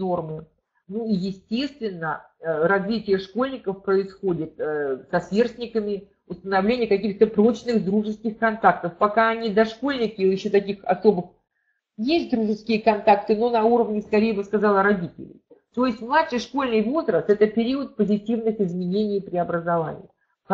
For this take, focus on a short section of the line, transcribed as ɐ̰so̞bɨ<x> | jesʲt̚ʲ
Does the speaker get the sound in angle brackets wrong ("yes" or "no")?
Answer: no